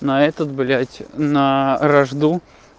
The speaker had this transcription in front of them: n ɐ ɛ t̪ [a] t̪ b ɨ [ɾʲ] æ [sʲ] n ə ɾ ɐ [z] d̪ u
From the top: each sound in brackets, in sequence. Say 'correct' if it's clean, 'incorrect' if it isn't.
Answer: incorrect: ə, incorrect: lʲ, incorrect: tʲ, incorrect: ʐ

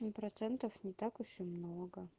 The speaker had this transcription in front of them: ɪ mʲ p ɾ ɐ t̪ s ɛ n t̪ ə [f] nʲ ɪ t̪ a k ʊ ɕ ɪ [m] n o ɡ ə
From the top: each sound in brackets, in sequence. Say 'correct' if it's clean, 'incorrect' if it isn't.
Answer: correct, correct

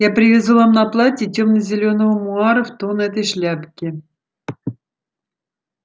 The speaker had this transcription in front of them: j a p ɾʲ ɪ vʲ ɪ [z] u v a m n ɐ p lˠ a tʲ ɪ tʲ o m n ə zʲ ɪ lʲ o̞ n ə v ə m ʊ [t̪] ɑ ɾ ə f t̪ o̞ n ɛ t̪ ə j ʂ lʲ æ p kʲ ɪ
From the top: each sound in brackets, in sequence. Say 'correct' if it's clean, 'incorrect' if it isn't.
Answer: correct, incorrect: none

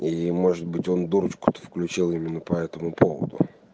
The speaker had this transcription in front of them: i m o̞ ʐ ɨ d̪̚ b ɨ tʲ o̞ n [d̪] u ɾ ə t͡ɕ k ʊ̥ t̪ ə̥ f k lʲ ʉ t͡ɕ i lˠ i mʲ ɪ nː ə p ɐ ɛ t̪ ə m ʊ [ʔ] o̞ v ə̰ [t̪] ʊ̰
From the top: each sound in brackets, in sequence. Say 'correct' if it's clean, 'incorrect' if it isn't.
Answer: correct, incorrect: p, incorrect: d̪

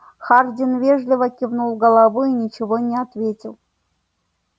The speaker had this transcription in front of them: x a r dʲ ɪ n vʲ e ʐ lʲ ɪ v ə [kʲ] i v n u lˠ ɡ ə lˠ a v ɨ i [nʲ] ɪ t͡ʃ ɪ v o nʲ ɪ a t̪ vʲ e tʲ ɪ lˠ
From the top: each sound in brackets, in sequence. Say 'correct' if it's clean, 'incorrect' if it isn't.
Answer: correct, correct

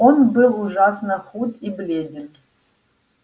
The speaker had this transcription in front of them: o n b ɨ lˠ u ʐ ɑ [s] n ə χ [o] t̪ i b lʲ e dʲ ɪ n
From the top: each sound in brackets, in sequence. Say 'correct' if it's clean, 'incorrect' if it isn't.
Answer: correct, incorrect: u

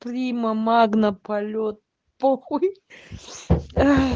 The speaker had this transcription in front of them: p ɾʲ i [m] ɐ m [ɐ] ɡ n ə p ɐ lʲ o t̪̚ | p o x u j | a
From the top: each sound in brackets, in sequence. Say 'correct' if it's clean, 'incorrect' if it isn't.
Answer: correct, incorrect: a

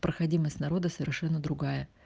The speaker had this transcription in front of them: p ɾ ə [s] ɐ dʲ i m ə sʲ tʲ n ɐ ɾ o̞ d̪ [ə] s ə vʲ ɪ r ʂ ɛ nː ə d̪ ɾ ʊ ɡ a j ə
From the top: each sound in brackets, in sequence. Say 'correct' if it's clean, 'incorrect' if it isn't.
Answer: incorrect: x, correct

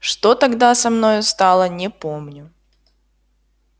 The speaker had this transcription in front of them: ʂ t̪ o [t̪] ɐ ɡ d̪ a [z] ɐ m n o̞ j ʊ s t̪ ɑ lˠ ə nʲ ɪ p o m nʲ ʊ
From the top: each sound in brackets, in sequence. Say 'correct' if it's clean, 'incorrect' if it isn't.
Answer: correct, incorrect: s

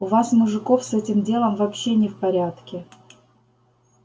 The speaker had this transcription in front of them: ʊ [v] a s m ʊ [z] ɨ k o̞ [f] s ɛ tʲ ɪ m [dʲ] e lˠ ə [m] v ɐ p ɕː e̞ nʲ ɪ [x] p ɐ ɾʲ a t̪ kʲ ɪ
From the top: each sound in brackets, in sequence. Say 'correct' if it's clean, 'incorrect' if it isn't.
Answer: correct, incorrect: ʐ, correct, correct, correct, incorrect: f

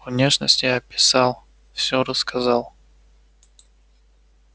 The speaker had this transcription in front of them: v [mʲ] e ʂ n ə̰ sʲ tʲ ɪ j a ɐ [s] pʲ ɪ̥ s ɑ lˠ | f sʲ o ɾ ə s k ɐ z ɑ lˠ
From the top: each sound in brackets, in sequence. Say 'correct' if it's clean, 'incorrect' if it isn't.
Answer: incorrect: nʲ, incorrect: none

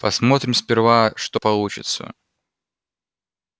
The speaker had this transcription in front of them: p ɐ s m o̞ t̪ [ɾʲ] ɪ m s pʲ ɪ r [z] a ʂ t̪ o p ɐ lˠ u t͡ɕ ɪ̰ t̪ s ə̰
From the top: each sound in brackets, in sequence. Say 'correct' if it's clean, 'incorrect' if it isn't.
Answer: correct, incorrect: v

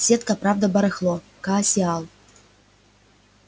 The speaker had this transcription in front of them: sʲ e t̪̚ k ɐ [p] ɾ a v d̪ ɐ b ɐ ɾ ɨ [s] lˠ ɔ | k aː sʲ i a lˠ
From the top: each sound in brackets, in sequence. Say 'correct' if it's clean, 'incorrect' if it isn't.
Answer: correct, incorrect: x

